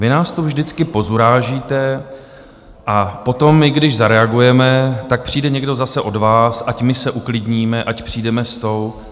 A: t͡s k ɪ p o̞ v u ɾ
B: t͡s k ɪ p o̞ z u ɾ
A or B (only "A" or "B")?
B